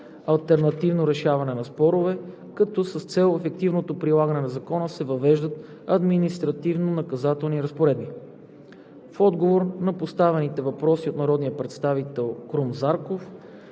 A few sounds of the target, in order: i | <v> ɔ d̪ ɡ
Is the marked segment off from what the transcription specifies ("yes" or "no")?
yes